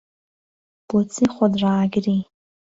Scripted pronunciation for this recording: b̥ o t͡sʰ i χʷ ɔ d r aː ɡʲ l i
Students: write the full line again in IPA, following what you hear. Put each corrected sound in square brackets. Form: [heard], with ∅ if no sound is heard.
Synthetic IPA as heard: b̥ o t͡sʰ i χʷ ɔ d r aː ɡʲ [r] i